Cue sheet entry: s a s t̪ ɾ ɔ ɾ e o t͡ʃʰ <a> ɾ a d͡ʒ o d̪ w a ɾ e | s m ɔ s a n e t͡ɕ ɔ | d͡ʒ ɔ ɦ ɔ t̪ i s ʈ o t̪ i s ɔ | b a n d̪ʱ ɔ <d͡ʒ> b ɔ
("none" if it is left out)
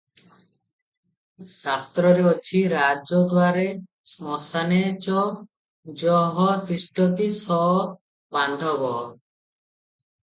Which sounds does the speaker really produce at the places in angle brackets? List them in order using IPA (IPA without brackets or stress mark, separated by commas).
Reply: i, none